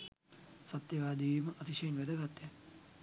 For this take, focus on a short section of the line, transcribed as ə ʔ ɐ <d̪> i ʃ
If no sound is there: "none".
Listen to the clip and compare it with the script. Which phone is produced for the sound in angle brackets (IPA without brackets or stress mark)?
t̪